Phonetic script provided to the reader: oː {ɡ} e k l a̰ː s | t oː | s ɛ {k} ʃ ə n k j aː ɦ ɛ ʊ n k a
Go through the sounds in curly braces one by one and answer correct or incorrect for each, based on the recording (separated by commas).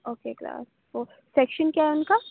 incorrect, correct